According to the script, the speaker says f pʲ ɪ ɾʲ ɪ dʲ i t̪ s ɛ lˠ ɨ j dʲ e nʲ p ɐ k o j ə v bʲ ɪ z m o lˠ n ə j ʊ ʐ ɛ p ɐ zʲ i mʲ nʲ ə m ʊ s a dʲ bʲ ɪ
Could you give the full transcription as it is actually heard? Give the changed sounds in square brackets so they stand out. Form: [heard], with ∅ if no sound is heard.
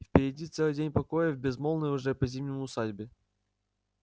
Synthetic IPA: f pʲ ɪ ɾʲ ɪ dʲ i t̪ s ɛ lˠ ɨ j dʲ e nʲ p ɐ k o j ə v bʲ ɪ z m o lˠ n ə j ʊ ʐ ɛ p ɐ zʲ i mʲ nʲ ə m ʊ s a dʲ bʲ ɪ